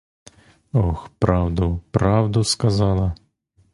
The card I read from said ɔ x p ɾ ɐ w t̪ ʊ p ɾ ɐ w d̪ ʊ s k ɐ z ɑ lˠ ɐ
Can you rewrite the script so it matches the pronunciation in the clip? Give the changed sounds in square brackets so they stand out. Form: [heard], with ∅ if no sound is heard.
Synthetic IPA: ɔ x p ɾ [ɑ] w [d̪] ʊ p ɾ [ɑ] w d̪ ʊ s k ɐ z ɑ lˠ ɐ